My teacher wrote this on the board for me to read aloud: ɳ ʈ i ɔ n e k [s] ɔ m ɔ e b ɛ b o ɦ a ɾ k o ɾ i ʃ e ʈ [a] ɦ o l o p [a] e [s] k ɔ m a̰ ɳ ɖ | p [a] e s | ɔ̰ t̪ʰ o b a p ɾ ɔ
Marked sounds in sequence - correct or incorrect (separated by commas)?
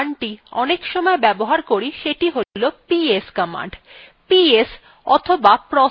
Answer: incorrect, incorrect, incorrect, correct, incorrect